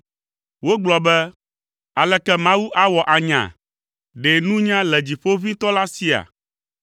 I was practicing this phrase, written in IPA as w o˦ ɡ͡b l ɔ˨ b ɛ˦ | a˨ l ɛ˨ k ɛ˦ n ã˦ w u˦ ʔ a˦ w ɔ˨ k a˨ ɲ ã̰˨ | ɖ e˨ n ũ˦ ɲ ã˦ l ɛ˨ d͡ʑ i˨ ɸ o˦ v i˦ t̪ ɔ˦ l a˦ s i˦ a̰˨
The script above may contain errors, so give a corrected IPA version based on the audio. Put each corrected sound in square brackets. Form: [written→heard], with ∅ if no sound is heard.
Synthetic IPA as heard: w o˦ ɡ͡b l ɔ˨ b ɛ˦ | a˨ l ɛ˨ k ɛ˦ [n→m] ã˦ w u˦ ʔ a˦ w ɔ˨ [k→ʔ] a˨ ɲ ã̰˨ | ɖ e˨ n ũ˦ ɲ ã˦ l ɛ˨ d͡ʑ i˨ ɸ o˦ v i˦ t̪ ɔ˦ l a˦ s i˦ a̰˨

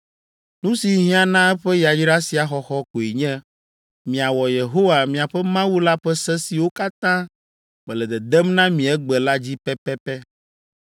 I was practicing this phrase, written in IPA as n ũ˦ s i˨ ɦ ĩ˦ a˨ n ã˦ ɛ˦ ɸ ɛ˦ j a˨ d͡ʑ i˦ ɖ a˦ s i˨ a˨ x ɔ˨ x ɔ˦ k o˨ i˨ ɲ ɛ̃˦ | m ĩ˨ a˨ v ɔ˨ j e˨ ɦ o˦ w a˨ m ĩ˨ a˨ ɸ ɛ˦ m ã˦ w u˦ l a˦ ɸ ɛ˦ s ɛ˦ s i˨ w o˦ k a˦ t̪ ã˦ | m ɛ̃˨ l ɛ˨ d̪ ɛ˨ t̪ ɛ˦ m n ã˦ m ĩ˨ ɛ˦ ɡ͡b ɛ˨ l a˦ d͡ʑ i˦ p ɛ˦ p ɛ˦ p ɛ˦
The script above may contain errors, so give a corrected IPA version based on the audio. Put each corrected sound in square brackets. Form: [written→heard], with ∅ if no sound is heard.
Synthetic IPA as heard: n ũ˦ s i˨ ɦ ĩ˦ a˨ n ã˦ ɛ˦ ɸ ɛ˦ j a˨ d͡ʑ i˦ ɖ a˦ s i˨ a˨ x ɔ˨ x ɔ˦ k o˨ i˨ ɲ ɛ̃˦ | m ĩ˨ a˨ [v→w] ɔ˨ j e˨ ɦ o˦ w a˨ m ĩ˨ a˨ ɸ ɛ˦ m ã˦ w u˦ l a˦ ɸ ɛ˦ s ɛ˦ s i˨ w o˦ k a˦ t̪ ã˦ | m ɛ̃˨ l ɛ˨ d̪ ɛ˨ [t̪→d̪] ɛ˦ m n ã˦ m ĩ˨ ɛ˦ ɡ͡b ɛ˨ l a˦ d͡ʑ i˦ p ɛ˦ p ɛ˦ p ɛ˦

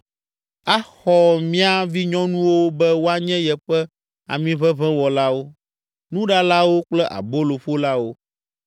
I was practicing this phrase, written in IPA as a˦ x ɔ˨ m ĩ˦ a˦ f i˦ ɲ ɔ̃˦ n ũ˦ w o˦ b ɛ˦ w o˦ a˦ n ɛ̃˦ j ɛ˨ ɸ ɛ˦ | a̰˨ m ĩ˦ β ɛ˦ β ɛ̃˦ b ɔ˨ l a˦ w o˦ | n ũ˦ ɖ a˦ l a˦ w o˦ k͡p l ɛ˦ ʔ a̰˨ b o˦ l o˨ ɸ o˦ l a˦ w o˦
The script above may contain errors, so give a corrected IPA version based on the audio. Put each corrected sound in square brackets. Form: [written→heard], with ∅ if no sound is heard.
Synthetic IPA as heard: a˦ x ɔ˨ m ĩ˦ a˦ [f→v] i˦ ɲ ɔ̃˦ n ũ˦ w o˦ b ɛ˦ w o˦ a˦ [n→ɲ] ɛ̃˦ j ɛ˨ ɸ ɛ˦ | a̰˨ m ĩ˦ β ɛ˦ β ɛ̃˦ [b→w] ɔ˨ l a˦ w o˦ | n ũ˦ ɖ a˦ l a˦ w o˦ k͡p l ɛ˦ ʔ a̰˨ b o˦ l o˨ ɸ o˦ l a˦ w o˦

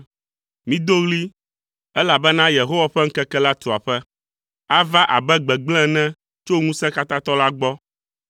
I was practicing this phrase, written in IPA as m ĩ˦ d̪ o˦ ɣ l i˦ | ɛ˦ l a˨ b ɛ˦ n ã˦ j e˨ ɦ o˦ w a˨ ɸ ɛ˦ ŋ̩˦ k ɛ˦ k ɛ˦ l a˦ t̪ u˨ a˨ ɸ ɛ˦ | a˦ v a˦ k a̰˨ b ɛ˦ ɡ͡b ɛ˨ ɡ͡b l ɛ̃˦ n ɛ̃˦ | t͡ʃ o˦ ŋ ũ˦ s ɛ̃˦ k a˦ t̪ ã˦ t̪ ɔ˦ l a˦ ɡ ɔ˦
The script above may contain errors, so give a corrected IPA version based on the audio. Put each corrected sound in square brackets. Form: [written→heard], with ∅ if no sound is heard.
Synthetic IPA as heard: m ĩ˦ d̪ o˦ ɣ l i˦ | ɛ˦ l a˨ b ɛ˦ n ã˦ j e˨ ɦ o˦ w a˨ ɸ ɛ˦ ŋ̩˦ k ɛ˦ k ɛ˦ l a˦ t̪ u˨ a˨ ɸ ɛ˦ | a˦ v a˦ [k→ʔ] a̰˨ b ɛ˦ ɡ͡b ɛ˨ ɡ͡b l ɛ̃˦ n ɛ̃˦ | t͡ʃ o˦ ŋ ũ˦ s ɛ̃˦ k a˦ t̪ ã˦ t̪ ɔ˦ l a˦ [ɡ→ɡ͡b] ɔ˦

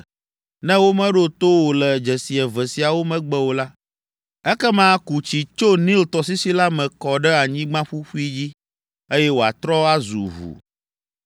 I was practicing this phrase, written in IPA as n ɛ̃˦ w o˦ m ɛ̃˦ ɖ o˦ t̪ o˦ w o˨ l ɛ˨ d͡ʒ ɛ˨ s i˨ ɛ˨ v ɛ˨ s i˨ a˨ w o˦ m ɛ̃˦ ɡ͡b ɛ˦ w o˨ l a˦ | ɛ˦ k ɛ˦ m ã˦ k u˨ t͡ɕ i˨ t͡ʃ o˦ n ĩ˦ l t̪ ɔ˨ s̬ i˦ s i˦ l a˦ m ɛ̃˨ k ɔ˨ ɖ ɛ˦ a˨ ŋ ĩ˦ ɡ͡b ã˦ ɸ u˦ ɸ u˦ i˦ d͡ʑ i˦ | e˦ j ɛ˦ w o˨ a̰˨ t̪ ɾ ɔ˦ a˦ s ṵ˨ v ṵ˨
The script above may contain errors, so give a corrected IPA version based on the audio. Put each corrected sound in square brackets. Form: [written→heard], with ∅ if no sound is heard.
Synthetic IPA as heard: n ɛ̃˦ w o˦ m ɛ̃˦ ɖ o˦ t̪ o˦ w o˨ l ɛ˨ d͡ʒ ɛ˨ s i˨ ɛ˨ v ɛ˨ s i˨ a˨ w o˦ m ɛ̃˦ ɡ͡b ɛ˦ w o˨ l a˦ | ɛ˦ k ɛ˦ m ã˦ k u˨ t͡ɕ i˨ t͡ʃ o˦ n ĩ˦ l t̪ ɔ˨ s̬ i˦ s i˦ l a˦ m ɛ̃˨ k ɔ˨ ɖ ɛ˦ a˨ [ŋ→ɲ] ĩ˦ ɡ͡b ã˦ ɸ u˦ ɸ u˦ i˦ d͡ʑ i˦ | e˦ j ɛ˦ w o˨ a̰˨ t̪ ɾ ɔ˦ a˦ [s→z] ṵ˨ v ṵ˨

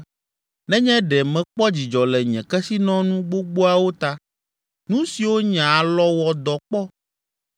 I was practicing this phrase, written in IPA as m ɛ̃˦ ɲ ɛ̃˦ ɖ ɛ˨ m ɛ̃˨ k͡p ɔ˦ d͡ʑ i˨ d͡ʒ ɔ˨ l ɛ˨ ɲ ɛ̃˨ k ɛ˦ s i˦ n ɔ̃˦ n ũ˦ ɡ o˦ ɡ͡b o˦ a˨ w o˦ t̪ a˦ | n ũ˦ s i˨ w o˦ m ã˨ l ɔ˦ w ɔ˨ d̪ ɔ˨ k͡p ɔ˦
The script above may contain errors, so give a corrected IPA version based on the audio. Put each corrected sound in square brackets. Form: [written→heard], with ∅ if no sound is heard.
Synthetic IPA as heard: [m→n] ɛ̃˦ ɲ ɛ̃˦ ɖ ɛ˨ m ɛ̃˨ k͡p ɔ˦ d͡ʑ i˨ d͡ʒ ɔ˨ l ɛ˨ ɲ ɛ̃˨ k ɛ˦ s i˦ n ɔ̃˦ n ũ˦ [ɡ→ɡ͡b] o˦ ɡ͡b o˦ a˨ w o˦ t̪ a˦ | n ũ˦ s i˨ w o˦ [m→ɲ] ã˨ l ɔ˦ w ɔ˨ d̪ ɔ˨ k͡p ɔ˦

